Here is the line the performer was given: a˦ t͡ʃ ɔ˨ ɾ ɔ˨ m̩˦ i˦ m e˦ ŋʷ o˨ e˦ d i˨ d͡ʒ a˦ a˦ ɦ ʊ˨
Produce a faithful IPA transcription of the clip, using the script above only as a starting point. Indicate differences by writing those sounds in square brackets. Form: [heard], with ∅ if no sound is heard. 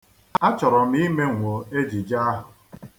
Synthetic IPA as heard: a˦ t͡ʃ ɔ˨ ɾ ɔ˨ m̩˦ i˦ m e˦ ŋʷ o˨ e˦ [d͡ʒ] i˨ d͡ʒ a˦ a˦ ɦ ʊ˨